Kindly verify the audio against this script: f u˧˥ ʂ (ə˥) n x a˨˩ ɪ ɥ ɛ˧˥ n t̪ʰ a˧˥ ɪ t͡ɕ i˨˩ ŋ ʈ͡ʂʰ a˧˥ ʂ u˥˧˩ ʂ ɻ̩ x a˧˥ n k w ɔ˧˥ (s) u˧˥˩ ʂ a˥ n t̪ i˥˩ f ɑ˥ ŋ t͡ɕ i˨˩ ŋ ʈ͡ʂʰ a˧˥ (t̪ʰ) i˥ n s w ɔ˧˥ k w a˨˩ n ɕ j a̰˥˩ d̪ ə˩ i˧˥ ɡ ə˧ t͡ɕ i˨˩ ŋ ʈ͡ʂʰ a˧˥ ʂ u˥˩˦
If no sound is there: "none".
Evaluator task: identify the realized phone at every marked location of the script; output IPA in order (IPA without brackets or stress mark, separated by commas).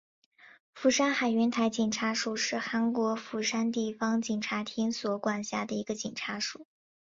a˥, f, t̪ʰ